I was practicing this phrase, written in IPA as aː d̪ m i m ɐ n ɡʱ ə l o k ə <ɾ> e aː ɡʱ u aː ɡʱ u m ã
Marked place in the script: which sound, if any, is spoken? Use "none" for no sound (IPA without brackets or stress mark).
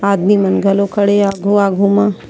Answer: ɽ